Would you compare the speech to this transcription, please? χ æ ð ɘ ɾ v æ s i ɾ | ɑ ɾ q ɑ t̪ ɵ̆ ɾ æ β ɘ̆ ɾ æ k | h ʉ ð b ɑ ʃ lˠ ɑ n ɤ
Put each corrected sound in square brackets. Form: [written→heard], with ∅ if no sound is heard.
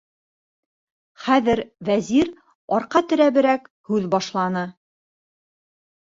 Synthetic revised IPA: χ æ ð ɘ ɾ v æ [s→z] i ɾ | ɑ ɾ q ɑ t̪ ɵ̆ ɾ æ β ɘ̆ ɾ æ k | h ʉ ð b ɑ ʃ lˠ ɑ n ɤ